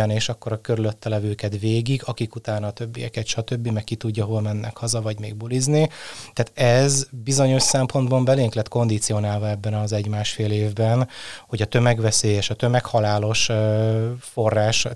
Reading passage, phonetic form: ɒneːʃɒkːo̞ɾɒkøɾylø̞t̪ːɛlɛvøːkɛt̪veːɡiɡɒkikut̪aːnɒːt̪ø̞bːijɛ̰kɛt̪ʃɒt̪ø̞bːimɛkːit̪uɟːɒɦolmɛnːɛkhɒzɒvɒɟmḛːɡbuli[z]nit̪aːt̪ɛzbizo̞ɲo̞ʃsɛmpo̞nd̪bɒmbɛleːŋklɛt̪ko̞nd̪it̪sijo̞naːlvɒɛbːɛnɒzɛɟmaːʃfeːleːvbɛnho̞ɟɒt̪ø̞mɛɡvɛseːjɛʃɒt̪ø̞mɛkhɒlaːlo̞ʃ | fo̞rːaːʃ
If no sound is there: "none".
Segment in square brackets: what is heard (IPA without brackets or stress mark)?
z